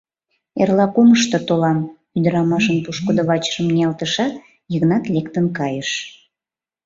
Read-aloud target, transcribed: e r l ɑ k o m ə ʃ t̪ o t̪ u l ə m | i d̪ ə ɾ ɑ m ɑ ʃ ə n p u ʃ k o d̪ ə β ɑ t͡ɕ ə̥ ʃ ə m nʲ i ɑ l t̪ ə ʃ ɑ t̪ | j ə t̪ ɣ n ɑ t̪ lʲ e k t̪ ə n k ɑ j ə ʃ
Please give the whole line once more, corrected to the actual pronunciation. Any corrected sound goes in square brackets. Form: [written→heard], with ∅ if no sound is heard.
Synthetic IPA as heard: e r l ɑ k o m ə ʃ t̪ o t̪ [u→o] l [ə→ɑ] m | [i→y] d̪ ə ɾ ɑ m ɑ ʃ ə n p u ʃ k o d̪ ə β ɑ t͡ɕ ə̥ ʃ ə m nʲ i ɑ l t̪ ə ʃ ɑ t̪ | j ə [t̪→∅] ɣ n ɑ t̪ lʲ e k t̪ ə n k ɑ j ə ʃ